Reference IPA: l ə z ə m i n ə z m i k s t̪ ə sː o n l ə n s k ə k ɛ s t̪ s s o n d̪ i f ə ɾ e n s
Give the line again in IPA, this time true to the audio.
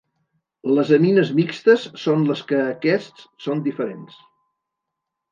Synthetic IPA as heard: l ə z ə m i n ə z m i k s t̪ ə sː o n l ə s k əː k ɛ s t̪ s s o n d̪ i f ə ɾ e n s